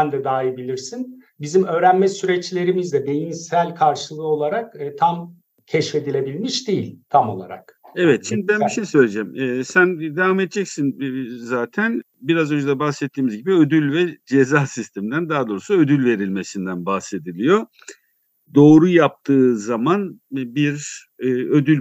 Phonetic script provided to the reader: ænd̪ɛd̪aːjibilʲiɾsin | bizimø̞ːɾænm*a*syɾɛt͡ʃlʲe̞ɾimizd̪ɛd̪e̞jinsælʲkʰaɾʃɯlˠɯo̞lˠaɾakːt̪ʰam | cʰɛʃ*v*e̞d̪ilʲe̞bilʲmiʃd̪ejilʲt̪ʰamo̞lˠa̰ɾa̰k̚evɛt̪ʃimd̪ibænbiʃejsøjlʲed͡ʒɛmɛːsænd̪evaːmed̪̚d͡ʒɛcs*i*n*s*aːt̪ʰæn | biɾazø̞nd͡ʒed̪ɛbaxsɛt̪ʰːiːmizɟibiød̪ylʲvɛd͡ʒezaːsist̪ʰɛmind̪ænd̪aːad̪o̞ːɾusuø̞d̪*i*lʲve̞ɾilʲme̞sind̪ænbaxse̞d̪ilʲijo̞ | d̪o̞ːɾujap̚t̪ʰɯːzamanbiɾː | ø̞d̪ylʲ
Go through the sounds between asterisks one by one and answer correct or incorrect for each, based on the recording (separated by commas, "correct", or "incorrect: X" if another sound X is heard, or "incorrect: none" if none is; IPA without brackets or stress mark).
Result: incorrect: ɛ, incorrect: f, correct, incorrect: z, incorrect: y